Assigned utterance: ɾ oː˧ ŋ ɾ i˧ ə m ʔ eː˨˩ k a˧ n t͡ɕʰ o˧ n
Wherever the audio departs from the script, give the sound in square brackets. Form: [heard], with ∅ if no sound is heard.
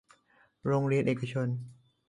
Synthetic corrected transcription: ɾ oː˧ ŋ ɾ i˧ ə [n] ʔ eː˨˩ k a˧ [∅] t͡ɕʰ o˧ n